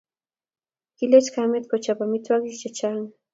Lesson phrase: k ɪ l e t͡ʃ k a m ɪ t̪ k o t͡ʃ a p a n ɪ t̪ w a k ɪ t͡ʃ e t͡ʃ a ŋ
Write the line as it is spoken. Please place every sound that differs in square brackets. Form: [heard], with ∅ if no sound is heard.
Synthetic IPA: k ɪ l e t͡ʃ k a m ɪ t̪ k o t͡ʃ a p a [m] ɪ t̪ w a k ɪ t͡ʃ [a] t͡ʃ a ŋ